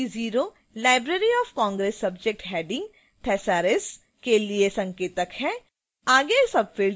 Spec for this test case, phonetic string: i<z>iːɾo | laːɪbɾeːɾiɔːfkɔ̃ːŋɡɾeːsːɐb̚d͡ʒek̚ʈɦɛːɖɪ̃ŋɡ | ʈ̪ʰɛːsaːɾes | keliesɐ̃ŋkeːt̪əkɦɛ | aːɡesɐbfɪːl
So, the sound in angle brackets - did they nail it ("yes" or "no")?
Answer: yes